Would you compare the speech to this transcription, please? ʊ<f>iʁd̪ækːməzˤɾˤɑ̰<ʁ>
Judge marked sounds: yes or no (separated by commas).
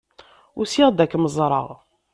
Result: no, yes